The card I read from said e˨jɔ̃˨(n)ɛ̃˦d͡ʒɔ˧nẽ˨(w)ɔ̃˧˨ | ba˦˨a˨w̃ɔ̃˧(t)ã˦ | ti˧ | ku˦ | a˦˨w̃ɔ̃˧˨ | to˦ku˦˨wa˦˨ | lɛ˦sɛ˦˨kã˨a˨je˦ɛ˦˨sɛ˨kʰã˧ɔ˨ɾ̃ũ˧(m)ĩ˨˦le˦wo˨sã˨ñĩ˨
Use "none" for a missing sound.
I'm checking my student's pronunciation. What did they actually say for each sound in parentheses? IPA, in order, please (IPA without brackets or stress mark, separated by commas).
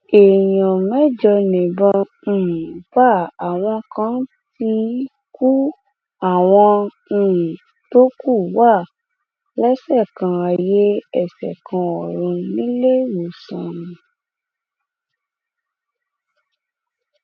m, b, k, n